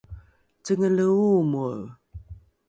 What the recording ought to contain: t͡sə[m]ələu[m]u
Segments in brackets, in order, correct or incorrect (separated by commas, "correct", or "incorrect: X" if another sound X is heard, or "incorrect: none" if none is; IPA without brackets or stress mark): incorrect: ŋ, correct